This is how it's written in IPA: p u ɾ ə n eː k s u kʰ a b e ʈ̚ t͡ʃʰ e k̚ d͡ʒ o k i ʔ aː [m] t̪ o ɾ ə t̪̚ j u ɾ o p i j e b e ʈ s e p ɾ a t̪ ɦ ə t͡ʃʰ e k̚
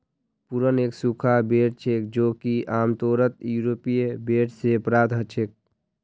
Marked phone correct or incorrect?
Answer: correct